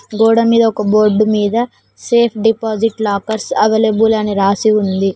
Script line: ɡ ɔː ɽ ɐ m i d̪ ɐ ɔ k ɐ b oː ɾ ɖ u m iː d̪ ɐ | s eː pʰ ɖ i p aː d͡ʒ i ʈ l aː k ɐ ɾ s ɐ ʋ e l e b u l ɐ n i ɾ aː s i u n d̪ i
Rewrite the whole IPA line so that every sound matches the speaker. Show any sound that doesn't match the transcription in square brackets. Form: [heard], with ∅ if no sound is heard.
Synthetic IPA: ɡ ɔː ɽ ɐ m [iː] d̪ ɐ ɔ k ɐ b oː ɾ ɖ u m iː d̪ ɐ | s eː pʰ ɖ i p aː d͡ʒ i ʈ l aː k ɐ ɾ s ɐ ʋ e l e b u l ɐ n i ɾ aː s i u n d̪ i